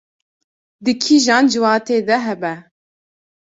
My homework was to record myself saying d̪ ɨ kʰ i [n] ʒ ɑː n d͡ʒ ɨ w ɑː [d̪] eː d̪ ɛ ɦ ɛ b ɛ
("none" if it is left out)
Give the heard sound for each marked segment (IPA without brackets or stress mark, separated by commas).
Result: none, t̪